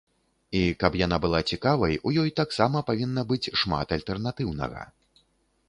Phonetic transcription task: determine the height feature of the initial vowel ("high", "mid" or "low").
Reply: high